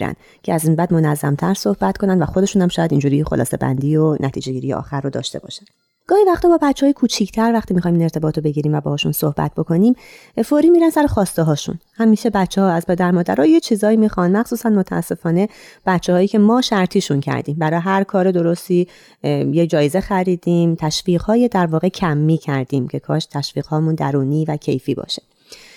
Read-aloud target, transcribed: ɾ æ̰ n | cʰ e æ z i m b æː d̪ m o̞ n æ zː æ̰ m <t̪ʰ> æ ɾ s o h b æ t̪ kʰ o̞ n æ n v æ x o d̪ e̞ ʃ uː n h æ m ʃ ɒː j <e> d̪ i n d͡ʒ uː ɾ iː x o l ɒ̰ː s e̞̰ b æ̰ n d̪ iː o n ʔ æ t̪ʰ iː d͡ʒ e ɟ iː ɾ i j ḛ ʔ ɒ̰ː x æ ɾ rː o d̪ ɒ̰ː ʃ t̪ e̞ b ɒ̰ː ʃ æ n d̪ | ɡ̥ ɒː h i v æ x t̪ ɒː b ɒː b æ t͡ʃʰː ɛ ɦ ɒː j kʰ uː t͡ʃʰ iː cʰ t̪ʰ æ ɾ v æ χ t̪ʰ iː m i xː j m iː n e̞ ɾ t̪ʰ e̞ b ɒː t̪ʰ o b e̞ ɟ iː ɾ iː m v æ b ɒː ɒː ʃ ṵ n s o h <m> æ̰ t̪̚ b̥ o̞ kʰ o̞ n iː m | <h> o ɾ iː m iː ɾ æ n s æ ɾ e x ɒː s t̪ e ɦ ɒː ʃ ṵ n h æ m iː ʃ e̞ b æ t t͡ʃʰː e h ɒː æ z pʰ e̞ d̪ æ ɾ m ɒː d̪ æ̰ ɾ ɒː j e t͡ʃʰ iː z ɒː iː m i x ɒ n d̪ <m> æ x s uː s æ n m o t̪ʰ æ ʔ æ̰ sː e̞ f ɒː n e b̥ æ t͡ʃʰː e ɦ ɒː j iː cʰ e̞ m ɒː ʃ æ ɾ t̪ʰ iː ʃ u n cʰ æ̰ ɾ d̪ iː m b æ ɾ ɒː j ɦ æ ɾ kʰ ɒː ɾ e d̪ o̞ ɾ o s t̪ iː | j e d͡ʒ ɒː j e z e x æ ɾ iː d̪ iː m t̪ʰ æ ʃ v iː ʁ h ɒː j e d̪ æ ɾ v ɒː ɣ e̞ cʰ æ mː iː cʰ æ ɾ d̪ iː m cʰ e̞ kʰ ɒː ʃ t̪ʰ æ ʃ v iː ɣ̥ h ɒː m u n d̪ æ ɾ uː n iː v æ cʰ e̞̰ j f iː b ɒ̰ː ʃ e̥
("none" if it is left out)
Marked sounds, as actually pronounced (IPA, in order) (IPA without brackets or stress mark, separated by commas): t̪ʰ, æ, b, f, m